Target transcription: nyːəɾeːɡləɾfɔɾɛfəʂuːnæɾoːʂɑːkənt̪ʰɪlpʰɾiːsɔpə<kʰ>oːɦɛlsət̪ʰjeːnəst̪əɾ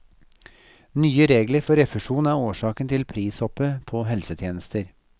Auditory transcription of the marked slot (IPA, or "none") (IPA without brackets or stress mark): pʰ